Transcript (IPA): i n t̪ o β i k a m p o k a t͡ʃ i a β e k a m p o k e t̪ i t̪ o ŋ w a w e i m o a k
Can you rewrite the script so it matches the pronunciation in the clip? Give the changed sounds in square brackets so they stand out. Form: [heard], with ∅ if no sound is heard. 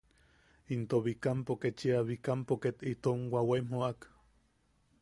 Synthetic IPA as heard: i n t̪ o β i k a m p o k [e] t͡ʃ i a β [i] k a m p o k e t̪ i t̪ o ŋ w a w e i m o a k